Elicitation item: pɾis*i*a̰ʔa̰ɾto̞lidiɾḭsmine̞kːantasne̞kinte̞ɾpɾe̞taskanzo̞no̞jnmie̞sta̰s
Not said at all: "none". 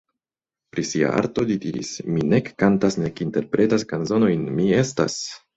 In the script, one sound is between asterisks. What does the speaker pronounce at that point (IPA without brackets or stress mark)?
i